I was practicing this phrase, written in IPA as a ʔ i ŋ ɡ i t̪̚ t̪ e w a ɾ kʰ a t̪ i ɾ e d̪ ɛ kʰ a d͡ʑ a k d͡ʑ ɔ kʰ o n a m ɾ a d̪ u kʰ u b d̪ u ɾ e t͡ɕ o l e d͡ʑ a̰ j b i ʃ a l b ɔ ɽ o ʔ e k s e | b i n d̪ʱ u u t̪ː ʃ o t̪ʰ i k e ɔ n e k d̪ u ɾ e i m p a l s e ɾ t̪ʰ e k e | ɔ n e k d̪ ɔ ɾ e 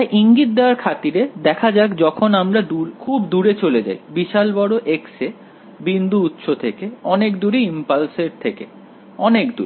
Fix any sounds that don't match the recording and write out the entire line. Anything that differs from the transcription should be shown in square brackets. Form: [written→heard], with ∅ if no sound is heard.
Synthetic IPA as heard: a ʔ i ŋ ɡ i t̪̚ [t̪→d̪] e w a ɾ kʰ a t̪ i ɾ e d̪ ɛ kʰ a d͡ʑ a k d͡ʑ ɔ kʰ o n a m ɾ a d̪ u kʰ u b d̪ u ɾ e t͡ɕ o l e d͡ʑ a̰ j b i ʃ a l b ɔ ɽ o ʔ e k s e | b i n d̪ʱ u u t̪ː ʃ o t̪ʰ [i→e] k e ɔ n e k d̪ u ɾ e i m p a l s e ɾ t̪ʰ e k e | ɔ n e k d̪ [ɔ→u] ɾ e